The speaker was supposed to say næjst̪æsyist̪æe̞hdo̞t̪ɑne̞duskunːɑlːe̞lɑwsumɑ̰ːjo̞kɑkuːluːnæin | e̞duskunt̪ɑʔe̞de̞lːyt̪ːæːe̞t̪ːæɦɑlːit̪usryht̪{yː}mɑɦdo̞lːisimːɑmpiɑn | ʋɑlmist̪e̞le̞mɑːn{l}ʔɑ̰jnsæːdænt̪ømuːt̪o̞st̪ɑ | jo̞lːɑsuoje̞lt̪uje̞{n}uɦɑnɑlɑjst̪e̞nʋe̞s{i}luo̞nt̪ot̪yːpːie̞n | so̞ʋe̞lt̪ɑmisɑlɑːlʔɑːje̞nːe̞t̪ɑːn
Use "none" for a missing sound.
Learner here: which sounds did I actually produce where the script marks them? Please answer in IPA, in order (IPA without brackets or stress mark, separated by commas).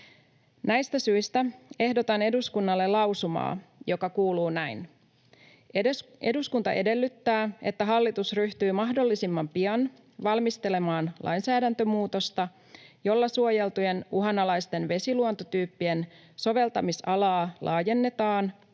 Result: yː, l, n, i